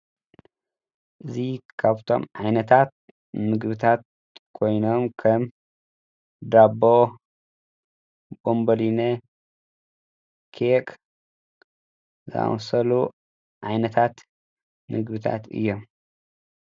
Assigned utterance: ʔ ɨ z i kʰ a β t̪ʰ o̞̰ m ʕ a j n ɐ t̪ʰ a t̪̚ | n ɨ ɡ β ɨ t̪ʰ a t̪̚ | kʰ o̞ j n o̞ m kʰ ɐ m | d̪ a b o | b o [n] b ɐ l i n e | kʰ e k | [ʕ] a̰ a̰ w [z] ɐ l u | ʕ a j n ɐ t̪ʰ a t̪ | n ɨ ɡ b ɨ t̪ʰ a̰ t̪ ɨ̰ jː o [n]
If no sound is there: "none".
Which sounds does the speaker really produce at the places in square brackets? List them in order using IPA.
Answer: m, z, s, m

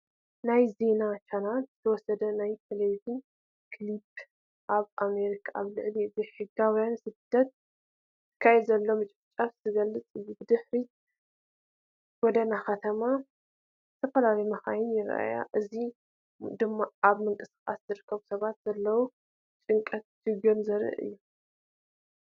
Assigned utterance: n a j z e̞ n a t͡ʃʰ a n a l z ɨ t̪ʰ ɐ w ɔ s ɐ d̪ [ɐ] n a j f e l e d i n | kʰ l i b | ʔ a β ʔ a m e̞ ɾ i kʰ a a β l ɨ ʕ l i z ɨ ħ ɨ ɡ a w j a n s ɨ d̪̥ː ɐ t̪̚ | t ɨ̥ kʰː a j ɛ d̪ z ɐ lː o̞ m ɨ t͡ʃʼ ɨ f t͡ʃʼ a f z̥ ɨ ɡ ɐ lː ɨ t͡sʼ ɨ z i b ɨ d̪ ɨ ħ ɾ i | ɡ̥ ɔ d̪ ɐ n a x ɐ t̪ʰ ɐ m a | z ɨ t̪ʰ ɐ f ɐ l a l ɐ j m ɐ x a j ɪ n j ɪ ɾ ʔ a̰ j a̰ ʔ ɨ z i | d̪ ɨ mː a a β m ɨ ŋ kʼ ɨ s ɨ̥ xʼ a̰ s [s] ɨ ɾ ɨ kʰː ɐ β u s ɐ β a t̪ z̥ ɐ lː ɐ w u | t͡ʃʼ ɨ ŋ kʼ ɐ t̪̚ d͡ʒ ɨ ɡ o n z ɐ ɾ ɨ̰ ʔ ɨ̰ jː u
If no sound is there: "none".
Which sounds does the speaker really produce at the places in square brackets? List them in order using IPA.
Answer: ɐ, z

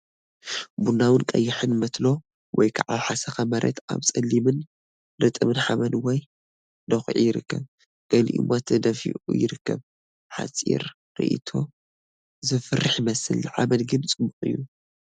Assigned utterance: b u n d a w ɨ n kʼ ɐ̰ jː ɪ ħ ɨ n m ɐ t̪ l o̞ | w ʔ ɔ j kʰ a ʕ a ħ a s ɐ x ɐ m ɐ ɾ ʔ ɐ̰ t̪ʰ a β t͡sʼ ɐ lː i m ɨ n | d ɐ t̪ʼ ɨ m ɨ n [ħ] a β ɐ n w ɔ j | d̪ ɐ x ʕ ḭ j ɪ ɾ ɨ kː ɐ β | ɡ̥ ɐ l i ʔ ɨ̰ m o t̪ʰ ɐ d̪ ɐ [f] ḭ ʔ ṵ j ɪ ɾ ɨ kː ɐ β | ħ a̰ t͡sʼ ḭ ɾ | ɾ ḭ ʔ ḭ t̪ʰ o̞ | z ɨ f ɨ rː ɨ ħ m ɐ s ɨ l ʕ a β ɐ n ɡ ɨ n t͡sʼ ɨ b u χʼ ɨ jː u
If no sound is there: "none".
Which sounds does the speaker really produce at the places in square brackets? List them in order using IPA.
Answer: ħ, f

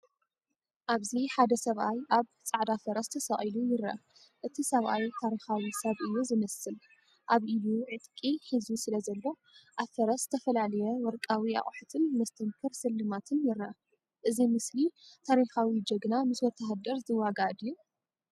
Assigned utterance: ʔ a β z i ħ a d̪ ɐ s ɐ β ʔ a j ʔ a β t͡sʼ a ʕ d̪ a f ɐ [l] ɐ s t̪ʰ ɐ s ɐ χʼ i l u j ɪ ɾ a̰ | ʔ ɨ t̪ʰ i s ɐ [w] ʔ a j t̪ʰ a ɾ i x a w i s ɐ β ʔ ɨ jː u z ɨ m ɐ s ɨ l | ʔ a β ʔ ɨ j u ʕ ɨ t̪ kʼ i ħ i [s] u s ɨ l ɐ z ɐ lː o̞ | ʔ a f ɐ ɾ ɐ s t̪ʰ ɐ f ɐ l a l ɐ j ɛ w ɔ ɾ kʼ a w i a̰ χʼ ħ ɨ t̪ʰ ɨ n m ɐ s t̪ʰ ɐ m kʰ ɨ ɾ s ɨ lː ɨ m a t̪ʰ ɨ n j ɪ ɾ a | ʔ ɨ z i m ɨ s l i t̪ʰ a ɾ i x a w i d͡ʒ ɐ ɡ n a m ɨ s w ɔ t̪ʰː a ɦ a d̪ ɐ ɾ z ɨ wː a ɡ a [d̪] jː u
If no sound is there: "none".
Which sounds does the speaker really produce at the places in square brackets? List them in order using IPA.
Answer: ɾ, β, z, d̪

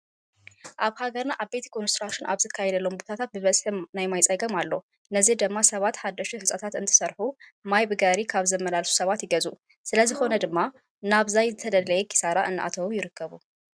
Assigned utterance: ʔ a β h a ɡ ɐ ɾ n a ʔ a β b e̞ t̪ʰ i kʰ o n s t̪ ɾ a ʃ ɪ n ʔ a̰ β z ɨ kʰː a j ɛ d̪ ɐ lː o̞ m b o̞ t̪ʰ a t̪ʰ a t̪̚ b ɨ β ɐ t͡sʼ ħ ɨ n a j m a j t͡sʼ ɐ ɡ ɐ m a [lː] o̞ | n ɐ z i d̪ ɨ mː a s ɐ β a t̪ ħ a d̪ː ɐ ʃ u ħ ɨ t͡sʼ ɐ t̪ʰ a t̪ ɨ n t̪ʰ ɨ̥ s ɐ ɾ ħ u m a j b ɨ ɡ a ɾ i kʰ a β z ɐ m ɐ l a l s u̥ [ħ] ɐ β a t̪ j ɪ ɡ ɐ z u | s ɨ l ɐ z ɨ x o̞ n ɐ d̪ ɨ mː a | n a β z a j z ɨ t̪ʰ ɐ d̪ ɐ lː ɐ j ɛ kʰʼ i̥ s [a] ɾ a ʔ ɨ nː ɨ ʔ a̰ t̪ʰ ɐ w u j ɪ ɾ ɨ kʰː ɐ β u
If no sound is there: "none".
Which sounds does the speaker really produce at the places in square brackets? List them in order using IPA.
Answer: lː, s, a

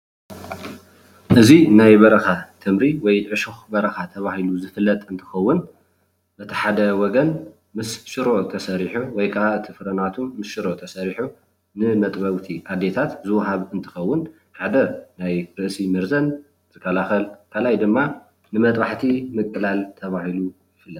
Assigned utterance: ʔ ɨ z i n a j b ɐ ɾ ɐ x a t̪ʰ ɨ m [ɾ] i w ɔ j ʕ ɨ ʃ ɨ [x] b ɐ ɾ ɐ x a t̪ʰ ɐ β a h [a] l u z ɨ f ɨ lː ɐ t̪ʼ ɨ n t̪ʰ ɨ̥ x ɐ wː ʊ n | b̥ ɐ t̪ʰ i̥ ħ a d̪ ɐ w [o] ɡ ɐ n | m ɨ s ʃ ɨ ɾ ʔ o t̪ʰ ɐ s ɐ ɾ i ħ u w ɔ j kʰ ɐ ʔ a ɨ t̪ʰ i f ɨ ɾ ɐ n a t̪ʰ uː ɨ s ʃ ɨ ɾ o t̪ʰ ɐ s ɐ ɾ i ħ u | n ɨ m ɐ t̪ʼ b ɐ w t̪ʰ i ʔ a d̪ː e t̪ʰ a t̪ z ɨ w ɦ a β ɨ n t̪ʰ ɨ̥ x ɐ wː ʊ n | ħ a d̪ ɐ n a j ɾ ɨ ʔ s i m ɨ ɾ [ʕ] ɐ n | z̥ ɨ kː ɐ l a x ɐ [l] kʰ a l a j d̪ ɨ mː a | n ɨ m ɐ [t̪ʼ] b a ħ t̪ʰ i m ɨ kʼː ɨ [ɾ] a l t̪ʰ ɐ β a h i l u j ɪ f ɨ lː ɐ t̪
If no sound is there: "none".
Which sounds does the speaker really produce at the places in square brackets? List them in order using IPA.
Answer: ɾ, x, i, ɔ, z, l, t̪ʼ, l

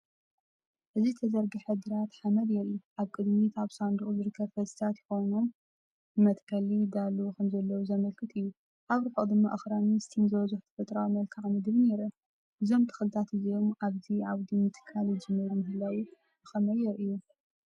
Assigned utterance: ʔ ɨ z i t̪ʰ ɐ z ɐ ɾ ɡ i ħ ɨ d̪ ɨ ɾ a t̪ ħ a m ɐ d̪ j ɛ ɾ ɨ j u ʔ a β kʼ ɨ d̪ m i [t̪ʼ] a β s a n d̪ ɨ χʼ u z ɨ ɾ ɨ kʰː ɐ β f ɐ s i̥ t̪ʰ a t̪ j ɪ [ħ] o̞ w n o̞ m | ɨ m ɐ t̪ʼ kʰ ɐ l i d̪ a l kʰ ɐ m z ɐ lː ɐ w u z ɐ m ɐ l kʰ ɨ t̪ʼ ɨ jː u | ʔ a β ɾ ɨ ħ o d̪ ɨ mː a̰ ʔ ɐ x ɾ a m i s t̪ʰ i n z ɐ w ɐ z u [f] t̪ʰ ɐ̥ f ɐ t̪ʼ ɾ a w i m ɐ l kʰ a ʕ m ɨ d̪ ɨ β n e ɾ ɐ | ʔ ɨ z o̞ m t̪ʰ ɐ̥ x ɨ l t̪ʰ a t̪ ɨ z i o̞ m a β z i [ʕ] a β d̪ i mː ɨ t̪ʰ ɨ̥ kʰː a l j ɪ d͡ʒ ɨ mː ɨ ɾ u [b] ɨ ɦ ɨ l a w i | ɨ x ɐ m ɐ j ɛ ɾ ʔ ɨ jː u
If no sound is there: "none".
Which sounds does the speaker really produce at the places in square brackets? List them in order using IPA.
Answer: t̪, x, ħ, ʕ, m

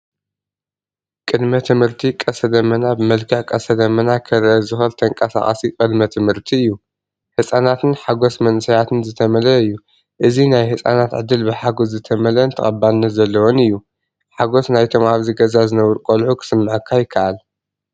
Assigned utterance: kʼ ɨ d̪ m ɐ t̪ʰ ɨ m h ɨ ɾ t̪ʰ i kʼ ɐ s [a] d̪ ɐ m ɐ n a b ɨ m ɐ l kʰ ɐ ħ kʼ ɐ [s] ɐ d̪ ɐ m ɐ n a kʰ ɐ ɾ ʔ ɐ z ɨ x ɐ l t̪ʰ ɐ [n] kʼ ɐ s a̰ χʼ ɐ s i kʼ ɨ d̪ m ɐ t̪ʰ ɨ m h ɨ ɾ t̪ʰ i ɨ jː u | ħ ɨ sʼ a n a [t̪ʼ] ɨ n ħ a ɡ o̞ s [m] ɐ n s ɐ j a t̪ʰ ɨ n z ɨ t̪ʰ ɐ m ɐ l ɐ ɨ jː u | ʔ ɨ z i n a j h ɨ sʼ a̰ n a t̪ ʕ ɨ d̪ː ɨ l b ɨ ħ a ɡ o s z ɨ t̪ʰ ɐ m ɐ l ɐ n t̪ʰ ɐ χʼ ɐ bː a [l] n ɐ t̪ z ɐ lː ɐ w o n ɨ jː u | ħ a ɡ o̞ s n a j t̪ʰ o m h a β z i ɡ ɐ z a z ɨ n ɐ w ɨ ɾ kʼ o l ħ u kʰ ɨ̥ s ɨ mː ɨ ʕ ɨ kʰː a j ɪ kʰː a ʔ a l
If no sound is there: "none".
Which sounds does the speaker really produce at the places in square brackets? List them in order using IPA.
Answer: ɐ, s, ŋ, t̪, m, l

